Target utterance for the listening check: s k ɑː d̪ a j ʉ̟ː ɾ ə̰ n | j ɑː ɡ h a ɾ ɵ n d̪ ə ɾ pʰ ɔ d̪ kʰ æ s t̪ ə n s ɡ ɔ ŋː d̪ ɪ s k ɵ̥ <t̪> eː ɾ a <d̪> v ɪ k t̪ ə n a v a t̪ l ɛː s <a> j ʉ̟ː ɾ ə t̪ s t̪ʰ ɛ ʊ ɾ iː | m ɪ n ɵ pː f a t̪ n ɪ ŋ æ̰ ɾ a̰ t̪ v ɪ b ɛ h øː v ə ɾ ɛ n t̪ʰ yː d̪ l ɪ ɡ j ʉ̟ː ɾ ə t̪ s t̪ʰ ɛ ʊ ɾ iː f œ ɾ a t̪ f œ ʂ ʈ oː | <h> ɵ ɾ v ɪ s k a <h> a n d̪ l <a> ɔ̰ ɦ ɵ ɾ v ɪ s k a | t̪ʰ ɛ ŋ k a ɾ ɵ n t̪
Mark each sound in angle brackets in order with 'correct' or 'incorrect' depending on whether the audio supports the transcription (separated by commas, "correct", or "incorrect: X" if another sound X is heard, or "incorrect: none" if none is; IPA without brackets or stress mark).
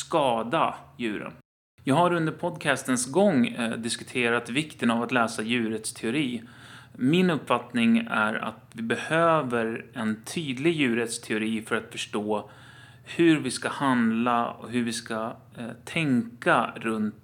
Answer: incorrect: t̪ʰ, incorrect: t̪, correct, correct, correct, correct